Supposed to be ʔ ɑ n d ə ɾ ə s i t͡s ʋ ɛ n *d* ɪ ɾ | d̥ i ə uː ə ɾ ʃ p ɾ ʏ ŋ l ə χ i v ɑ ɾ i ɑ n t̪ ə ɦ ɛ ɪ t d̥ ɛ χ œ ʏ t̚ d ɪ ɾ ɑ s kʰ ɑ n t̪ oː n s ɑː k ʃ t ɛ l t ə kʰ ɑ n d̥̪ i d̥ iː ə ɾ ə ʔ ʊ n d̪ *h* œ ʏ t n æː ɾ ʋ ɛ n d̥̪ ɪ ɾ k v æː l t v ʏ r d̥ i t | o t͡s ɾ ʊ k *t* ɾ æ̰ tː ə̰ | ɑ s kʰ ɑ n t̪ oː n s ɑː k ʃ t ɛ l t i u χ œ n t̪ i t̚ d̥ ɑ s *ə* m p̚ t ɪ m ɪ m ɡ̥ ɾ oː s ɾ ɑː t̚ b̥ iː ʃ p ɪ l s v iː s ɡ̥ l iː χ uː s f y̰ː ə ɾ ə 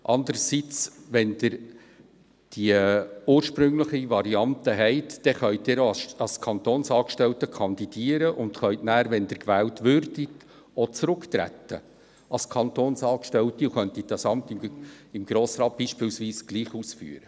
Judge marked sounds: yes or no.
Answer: yes, no, yes, no

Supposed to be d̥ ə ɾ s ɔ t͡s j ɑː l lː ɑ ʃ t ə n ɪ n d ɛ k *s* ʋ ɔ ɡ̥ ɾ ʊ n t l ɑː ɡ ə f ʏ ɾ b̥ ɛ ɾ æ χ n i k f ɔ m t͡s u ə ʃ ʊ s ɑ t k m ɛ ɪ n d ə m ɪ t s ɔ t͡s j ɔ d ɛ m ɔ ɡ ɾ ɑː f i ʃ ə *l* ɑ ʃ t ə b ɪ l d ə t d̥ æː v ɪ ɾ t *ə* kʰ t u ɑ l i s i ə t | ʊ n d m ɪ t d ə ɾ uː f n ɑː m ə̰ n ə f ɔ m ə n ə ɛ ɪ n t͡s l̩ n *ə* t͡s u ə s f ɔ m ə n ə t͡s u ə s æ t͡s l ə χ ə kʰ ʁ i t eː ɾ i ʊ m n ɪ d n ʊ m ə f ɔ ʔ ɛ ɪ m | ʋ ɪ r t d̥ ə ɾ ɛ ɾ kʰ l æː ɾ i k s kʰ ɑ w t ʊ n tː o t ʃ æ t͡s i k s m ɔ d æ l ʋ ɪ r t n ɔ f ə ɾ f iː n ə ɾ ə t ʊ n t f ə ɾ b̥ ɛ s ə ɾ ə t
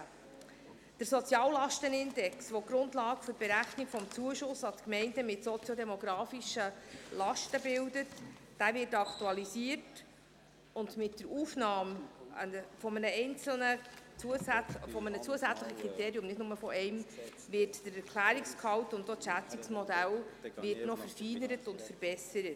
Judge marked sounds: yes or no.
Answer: yes, yes, no, yes

